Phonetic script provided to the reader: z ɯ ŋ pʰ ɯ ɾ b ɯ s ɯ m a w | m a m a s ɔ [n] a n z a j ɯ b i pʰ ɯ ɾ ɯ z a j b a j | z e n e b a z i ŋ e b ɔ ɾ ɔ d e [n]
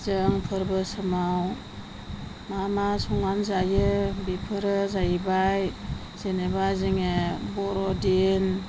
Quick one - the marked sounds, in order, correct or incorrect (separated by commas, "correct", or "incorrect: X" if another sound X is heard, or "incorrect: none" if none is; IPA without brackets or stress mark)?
incorrect: ŋ, correct